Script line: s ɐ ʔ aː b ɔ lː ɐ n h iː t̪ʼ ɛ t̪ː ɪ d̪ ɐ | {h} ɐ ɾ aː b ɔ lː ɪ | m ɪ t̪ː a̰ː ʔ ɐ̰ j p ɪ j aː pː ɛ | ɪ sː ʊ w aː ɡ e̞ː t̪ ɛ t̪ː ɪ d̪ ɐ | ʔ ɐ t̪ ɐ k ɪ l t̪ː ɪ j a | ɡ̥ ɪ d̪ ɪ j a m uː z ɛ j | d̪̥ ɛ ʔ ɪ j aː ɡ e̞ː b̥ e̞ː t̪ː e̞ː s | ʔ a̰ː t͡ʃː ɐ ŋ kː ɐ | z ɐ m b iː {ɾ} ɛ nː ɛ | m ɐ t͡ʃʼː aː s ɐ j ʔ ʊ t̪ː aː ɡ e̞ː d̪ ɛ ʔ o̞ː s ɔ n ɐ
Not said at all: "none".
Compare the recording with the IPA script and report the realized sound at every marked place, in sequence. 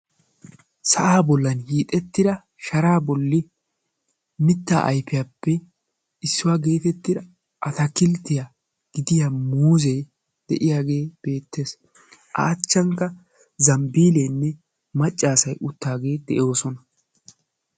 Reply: ʃ, l

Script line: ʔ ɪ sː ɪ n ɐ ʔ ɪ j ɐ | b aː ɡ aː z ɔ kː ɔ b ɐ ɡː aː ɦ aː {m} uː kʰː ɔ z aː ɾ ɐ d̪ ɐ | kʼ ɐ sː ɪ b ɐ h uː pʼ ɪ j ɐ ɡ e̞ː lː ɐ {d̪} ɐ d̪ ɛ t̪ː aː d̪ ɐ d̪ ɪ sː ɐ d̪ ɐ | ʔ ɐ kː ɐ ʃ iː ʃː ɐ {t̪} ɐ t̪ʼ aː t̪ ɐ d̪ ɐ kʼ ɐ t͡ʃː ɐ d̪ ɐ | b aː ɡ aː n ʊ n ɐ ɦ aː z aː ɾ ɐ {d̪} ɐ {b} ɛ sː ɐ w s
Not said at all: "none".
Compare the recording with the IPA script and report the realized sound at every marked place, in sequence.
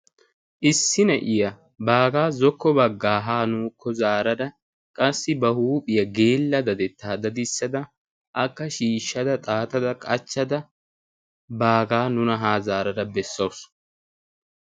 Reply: n, d̪, d̪, d̪, b

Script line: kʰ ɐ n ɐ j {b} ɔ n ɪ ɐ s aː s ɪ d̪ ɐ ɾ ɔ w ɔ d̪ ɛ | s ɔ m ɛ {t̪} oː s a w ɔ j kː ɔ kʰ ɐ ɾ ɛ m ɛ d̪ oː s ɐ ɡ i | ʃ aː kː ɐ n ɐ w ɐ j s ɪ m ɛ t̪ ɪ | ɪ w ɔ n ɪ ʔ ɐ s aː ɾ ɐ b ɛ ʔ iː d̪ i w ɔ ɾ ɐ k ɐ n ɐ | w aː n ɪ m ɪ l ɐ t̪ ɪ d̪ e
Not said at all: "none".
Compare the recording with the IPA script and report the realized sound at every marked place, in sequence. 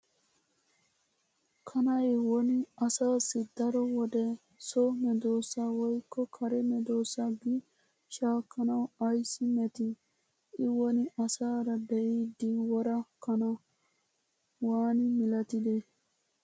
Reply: w, d̪

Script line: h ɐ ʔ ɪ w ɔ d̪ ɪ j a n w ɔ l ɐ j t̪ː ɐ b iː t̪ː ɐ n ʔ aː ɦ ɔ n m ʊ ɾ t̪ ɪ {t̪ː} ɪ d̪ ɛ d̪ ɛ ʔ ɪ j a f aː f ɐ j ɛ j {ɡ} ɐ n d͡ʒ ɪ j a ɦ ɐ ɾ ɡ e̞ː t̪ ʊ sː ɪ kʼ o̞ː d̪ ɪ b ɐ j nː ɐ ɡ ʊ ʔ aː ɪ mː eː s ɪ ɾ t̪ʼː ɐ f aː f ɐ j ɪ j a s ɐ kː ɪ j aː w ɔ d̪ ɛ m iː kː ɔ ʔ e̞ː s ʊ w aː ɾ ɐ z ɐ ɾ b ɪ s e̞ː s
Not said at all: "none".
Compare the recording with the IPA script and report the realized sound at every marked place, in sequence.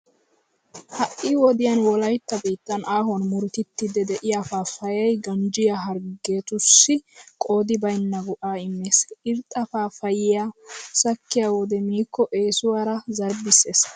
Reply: t̪ː, ɡ

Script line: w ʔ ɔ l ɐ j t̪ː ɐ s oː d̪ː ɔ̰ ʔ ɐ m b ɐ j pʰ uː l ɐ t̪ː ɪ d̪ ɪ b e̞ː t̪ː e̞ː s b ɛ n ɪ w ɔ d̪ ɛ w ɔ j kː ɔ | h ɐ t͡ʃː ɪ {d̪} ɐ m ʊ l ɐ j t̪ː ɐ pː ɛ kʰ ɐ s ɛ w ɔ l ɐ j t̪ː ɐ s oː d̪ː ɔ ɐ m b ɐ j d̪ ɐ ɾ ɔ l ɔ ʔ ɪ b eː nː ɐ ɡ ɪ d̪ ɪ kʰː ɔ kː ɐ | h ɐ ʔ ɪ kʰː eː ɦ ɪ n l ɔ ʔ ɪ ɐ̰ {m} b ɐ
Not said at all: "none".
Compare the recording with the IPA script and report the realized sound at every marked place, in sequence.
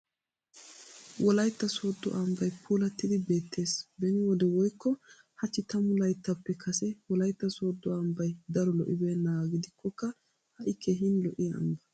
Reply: t̪, m

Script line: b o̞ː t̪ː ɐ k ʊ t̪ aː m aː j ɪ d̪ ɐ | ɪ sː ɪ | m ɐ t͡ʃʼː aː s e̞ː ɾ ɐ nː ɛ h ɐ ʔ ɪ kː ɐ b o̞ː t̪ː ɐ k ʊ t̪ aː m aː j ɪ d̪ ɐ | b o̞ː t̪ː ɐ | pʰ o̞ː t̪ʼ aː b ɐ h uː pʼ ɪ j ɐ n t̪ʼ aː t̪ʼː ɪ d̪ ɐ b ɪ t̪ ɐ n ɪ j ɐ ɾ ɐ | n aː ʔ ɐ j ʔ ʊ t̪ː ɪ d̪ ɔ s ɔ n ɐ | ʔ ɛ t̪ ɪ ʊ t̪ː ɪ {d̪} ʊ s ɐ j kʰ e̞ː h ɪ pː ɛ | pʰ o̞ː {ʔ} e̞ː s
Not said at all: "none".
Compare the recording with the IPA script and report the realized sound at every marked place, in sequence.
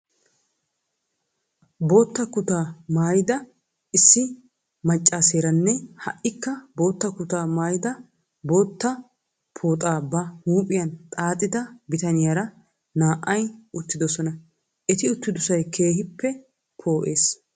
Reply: d̪, ʔ

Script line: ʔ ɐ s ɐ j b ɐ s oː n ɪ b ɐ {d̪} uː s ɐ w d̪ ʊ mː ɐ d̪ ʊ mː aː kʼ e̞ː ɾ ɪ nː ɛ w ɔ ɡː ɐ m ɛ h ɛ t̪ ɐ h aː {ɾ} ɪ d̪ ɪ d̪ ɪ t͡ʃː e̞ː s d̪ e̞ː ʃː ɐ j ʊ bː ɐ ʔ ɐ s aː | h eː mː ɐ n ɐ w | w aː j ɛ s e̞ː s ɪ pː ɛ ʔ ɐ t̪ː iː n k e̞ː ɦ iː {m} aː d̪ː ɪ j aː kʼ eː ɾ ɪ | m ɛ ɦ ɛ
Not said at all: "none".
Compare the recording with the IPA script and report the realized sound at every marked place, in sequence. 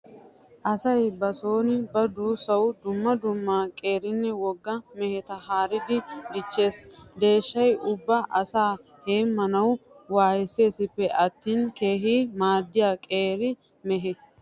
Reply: d̪, ɾ, m

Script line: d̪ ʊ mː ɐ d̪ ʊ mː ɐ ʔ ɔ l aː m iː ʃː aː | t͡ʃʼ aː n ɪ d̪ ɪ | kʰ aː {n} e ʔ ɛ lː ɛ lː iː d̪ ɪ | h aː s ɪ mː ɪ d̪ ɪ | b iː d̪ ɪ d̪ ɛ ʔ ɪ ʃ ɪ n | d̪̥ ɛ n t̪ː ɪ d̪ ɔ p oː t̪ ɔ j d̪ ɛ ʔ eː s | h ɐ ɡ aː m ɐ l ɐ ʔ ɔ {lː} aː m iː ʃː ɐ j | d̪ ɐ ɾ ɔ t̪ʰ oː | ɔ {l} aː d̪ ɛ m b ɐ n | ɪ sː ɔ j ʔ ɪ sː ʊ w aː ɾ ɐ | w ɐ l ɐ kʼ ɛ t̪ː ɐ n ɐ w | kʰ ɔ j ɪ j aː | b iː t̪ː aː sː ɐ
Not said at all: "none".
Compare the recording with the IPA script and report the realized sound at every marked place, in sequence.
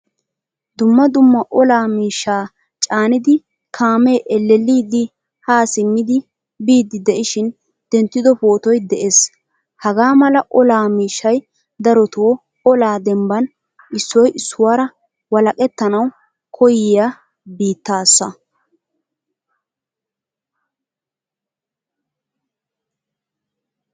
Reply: m, l, l

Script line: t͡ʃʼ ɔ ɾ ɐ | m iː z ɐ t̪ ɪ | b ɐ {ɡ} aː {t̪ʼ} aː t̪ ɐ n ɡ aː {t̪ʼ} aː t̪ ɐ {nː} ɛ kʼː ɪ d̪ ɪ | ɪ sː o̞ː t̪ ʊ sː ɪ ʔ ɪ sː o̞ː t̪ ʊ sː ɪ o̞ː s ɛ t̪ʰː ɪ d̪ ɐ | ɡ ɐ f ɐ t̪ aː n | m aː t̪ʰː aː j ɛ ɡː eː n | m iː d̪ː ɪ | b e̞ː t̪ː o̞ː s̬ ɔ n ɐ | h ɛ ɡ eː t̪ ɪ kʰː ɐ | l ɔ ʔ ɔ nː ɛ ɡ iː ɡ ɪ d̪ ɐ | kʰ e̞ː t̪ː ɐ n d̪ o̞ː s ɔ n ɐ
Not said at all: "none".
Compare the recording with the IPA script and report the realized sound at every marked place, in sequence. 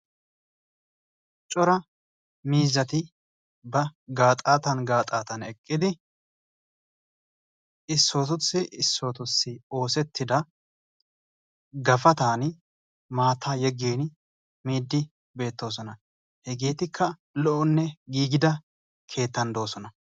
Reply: ɡ, t̪ʼ, t̪ʼ, n

